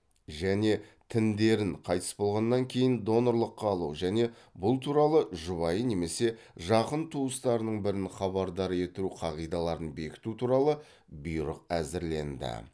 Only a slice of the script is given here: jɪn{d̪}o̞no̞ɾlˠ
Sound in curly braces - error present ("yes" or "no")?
no